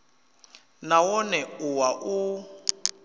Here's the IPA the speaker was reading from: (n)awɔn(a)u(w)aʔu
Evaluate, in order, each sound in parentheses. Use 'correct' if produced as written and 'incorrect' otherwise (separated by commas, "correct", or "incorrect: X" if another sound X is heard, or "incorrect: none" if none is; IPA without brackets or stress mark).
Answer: correct, incorrect: ɛ, correct